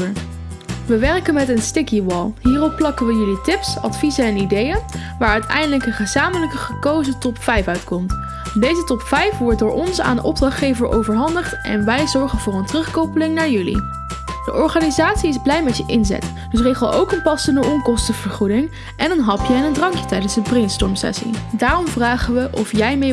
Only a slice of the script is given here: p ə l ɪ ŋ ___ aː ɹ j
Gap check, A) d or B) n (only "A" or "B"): B